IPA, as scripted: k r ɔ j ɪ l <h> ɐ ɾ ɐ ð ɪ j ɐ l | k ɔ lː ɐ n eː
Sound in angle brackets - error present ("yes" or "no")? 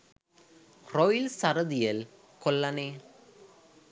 yes